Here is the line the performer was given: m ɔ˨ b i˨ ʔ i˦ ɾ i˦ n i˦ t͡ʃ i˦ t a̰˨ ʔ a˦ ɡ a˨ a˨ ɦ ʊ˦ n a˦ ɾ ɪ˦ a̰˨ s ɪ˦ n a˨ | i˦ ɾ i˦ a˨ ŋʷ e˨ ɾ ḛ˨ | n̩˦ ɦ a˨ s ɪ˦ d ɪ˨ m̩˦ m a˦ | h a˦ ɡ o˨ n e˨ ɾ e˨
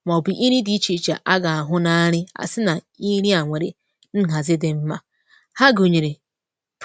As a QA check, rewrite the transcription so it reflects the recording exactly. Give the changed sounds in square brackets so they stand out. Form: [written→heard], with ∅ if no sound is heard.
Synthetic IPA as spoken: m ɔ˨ b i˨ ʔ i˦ ɾ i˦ [n→d] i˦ t͡ʃ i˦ [t→t͡ʃ] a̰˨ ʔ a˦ ɡ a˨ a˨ ɦ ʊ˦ n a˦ ɾ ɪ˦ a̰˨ s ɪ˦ n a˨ | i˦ ɾ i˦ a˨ ŋʷ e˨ ɾ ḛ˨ | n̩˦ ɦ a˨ [s→z] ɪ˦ d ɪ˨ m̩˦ m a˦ | h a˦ ɡ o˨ [n→ɲ] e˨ ɾ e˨